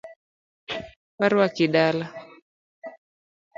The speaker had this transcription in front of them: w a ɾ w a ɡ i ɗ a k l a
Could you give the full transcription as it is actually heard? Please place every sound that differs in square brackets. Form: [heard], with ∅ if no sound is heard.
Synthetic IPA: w a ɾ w a [k] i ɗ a [∅] l a